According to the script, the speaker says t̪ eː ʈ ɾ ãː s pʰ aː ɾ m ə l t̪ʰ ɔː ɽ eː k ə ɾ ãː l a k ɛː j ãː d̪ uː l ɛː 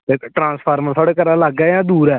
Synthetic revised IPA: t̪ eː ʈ ɾ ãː s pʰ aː ɾ m ə ɾ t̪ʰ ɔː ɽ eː k ə ɾ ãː l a ɡ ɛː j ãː d̪ uː ɾ ɛː